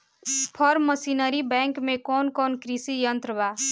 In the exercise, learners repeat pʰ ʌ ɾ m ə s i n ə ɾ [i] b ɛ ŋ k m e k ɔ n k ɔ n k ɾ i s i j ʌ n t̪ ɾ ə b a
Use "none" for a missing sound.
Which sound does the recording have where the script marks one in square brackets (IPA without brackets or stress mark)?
i